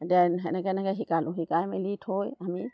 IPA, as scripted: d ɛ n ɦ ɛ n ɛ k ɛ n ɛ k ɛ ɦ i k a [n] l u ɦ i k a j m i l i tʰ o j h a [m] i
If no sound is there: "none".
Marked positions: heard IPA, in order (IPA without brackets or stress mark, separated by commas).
none, m